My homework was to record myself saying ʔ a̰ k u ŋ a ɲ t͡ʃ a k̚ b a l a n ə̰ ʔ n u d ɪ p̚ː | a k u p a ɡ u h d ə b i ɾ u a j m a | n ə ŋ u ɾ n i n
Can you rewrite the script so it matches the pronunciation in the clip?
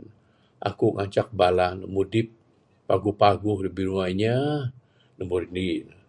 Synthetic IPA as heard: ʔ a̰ k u ŋ a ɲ t͡ʃ a k̚ b a l a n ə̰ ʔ m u d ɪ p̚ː | a ɡ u p a ɡ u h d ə b i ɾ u a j ɲ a | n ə m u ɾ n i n

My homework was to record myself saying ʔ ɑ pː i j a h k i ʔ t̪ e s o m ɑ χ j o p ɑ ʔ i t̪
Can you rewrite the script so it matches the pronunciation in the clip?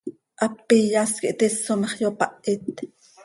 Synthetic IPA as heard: ʔ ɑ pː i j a s k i ʔ t̪ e s o m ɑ χ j o p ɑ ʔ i t̪

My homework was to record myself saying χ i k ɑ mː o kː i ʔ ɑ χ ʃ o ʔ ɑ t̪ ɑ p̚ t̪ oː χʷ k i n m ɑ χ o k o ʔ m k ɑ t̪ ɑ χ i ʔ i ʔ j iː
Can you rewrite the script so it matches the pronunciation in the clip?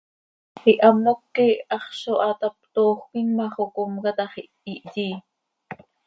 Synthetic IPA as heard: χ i ʔ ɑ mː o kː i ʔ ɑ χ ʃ o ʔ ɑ t̪ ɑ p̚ t̪ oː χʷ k i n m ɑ χ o k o m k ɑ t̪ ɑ χ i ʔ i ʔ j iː

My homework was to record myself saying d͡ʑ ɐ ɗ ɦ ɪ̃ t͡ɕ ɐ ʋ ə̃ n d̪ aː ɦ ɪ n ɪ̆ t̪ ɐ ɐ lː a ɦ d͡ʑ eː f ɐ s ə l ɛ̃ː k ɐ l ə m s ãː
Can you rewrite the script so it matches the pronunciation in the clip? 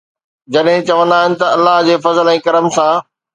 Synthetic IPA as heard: d͡ʑ ɐ ɗ ɦ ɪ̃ t͡ɕ ɐ ʋ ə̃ n d̪ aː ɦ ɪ n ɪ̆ t̪ ɐ ɐ lː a ɦ d͡ʑ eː f ɐ z ə l ɛ̃ː k ɐ ɾ ə m s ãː

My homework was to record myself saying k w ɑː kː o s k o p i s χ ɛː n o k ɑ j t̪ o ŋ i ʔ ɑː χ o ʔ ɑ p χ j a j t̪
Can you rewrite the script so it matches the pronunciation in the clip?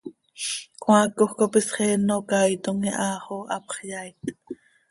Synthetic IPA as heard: k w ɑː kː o χ k o p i s χ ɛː n o k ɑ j t̪ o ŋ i ʔ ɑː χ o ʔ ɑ p χ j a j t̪

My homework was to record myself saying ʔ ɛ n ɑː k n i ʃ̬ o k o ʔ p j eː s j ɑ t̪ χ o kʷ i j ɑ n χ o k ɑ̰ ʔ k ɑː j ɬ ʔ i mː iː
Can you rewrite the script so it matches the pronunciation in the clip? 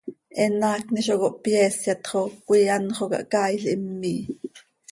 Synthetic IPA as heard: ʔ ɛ n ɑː k n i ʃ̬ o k o ʔ p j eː s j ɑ t̪ χ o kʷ i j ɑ n χ o k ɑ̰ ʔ k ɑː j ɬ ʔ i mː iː

